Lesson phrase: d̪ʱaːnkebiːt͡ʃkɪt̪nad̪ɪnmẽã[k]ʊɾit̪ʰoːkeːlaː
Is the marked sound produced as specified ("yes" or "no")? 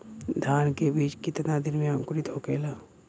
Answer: yes